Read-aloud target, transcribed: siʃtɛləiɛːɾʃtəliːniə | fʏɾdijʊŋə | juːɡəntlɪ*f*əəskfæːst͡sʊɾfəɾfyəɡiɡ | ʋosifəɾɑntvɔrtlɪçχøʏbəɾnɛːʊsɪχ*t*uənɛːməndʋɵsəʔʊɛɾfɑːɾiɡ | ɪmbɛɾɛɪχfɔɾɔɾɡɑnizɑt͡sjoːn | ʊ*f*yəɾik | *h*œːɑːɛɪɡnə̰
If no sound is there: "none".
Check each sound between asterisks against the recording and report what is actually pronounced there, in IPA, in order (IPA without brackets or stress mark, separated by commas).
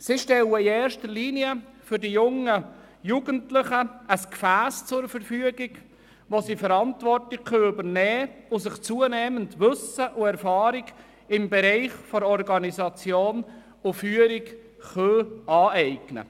χ, t͡s, f, χ